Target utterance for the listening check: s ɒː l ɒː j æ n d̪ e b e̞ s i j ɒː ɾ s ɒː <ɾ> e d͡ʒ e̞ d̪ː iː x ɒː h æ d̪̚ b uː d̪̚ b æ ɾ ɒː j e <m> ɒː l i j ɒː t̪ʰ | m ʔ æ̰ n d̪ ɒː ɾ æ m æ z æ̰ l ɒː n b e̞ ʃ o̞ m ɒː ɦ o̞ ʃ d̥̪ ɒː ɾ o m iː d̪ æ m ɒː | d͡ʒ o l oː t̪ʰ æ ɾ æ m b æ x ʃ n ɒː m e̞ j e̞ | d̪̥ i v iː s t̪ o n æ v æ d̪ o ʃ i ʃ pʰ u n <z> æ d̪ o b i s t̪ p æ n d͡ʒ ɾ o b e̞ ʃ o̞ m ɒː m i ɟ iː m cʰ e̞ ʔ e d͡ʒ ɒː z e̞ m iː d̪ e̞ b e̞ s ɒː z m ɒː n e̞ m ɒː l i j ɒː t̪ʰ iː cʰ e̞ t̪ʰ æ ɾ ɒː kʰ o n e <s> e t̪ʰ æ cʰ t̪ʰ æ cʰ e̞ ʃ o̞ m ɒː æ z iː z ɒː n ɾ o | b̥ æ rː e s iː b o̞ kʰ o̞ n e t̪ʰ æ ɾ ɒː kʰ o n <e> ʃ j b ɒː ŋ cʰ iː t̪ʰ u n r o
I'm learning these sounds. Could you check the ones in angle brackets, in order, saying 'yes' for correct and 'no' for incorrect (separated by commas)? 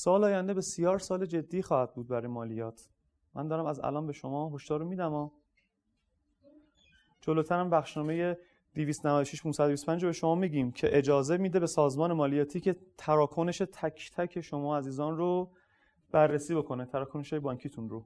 no, yes, no, no, yes